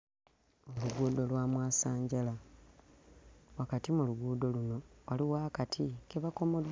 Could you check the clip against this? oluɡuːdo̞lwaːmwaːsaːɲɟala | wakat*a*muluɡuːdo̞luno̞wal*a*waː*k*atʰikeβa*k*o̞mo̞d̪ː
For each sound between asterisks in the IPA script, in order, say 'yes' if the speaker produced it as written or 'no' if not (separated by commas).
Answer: no, no, yes, yes